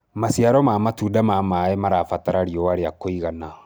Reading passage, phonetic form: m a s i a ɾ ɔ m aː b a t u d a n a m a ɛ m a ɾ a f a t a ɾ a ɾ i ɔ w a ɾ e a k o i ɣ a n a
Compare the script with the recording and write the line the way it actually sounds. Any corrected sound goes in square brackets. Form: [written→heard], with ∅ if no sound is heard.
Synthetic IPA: m a s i a ɾ ɔ m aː [b→m] a t u d a [n→m] a m a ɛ m a ɾ a f a t a ɾ a ɾ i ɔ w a ɾ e a k o i ɣ a n a